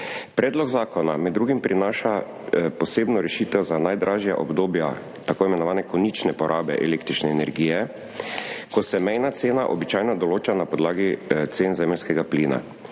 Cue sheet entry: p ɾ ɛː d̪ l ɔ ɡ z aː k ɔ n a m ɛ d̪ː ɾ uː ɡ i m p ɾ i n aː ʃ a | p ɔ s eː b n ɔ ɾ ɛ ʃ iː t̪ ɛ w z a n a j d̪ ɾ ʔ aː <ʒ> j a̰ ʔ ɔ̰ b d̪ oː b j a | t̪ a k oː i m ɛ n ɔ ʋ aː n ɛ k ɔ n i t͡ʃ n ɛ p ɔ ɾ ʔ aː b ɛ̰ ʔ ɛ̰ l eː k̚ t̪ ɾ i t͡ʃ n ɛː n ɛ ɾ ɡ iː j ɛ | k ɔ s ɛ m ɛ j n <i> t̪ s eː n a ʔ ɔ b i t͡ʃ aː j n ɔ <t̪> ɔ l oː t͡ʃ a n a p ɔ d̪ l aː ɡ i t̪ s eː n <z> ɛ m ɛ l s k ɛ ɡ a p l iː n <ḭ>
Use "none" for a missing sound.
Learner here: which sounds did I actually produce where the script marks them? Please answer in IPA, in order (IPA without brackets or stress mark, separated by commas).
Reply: ʒ, a, d̪, z, a̰